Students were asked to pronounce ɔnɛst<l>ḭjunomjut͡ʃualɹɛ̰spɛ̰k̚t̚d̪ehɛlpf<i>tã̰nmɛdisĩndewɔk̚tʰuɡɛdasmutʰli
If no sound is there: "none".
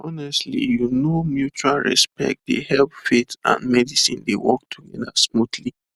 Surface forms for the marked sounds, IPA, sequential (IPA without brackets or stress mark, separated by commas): l, e